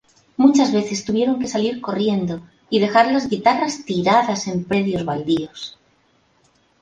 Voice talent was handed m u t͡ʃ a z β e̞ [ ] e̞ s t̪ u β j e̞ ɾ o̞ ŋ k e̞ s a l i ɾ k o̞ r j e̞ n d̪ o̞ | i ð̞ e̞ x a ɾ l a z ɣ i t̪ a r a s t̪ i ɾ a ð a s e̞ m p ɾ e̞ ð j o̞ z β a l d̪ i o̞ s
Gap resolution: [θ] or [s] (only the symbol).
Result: θ